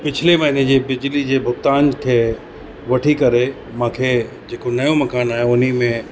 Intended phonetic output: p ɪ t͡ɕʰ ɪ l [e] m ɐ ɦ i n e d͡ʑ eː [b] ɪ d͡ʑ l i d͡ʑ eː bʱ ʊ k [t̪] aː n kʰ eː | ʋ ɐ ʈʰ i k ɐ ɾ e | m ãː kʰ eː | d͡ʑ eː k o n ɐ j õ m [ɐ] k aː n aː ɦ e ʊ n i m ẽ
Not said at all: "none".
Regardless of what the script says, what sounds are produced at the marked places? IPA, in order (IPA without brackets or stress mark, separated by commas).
e, b, t̪, ɐ